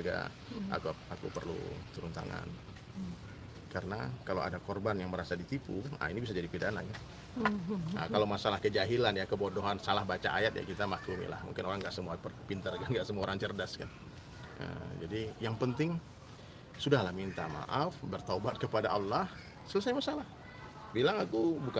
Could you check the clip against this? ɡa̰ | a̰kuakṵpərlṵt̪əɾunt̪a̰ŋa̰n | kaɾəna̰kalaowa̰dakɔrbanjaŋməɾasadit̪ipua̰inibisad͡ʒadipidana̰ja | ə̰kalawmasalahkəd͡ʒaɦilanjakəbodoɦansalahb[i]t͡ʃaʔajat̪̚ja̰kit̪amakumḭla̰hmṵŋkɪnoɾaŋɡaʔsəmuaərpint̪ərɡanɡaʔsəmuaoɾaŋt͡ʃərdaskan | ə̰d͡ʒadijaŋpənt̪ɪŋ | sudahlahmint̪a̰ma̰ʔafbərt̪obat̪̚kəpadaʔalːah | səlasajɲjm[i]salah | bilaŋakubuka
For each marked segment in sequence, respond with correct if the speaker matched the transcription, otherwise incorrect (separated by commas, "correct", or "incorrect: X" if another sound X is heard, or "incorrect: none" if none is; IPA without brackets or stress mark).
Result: incorrect: a, incorrect: a